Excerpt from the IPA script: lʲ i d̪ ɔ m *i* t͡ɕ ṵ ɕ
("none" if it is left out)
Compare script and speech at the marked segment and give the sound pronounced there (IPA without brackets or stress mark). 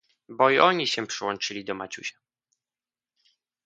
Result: a